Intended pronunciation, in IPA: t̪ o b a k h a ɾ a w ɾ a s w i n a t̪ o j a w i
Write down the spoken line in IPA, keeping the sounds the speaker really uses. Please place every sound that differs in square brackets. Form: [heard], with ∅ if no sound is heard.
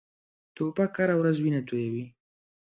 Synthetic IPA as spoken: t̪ o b a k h a ɾ a w ɾ a [z] w i n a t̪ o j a w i